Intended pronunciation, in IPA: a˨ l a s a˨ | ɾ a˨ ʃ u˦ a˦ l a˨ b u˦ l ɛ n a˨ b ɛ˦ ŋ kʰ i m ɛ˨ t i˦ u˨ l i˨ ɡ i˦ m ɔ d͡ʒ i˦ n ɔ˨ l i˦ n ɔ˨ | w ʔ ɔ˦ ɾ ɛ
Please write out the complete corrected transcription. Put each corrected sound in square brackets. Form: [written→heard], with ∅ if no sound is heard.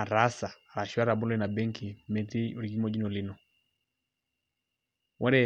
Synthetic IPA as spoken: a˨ [l→ɾ] a s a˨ | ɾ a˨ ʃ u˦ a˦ [l→ɾ] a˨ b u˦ l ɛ n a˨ b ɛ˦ ŋ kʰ i m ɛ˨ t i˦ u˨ [l→ɾ] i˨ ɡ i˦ m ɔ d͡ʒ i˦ n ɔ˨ l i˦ n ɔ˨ | w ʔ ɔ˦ ɾ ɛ